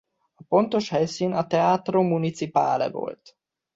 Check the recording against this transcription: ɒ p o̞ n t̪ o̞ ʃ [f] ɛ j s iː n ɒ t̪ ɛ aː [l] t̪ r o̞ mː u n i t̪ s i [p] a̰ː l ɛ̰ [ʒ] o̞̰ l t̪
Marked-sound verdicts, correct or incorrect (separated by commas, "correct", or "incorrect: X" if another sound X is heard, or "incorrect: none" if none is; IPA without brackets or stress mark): incorrect: h, incorrect: none, correct, incorrect: v